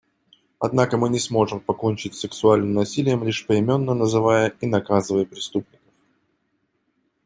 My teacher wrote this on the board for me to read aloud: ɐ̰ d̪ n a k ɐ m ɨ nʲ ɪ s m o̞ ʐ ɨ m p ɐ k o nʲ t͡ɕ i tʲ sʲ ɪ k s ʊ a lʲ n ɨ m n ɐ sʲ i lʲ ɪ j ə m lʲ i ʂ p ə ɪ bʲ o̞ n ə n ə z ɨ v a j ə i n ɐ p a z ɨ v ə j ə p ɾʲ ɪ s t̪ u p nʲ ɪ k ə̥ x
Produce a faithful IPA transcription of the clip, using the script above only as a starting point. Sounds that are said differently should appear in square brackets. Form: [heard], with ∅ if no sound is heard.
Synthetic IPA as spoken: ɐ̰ d̪ n a k [ə] m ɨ nʲ ɪ s m o̞ ʐ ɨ m p ɐ k o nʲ t͡ɕ [ɪ] tʲ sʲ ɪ k s ʊ a lʲ n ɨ m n ɐ sʲ i lʲ ɪ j ə m lʲ i ʂ p ə ɪ [mʲ] o̞ [nː] ə n ə z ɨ v a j ə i n ɐ [k] a z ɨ v ə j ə p ɾʲ ɪ s t̪ u p nʲ ɪ k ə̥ [f]